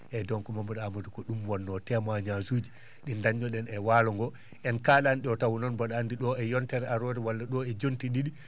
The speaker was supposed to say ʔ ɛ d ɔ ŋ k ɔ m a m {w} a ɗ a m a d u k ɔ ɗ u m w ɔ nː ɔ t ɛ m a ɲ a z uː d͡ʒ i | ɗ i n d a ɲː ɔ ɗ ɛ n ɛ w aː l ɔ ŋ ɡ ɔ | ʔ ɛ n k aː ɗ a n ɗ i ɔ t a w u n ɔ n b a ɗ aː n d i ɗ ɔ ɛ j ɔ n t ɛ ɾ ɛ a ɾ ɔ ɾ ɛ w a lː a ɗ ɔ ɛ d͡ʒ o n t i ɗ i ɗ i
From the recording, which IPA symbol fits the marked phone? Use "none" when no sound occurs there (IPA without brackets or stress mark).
b